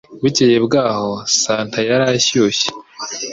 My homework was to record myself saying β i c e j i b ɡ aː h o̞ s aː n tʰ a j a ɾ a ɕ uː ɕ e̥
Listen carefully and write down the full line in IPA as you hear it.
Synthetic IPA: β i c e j e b ɡ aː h o̞ s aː n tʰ a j a ɾ a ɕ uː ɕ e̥